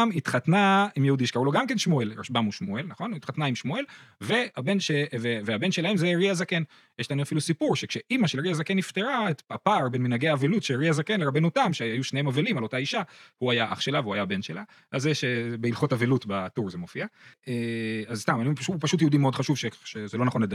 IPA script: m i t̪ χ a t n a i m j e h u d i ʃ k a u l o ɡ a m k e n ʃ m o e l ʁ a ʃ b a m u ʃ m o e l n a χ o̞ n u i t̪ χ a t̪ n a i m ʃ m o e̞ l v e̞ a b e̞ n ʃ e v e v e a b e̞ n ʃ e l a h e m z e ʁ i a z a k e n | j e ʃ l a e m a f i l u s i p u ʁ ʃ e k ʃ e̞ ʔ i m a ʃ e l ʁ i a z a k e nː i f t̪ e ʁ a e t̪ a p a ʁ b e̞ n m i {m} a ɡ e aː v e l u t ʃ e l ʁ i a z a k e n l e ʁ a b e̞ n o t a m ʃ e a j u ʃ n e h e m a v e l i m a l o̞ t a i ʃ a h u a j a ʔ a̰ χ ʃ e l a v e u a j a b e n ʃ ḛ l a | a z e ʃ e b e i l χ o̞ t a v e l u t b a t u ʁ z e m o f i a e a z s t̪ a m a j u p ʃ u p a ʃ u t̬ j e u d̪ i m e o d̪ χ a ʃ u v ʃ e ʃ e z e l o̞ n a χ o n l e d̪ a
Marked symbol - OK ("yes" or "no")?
no